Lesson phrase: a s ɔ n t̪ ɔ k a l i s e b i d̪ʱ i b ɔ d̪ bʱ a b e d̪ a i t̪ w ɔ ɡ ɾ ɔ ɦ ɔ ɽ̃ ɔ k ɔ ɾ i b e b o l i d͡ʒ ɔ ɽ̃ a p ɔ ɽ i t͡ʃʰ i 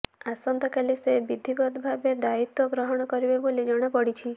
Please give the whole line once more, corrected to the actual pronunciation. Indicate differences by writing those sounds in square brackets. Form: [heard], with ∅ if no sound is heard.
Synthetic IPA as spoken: a s ɔ n t̪ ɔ k a l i s e b i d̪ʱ i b ɔ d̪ bʱ a b e d̪ a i t̪ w ɔ ɡ ɾ ɔ ɦ ɔ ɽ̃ ɔ k ɔ ɾ i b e b o l i d͡ʒ ɔ ɽ̃ a p ɔ ɽ i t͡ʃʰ i